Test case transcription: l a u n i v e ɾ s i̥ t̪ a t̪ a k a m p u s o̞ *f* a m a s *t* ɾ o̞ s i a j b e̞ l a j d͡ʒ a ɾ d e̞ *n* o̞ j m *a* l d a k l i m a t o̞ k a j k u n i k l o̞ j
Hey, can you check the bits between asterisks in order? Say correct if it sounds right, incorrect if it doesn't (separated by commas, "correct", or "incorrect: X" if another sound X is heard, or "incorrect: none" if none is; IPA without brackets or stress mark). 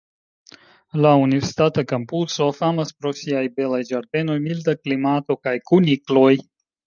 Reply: correct, incorrect: p, correct, incorrect: i